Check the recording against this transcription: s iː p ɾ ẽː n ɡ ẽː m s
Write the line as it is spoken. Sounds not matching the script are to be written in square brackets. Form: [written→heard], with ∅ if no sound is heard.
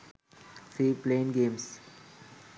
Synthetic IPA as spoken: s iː p [ɾ→l] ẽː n ɡ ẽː m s